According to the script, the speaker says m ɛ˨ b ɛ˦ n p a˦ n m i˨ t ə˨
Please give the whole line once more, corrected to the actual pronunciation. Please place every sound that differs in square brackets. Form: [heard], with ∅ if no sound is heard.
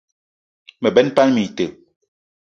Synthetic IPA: m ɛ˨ b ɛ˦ n p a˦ n m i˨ t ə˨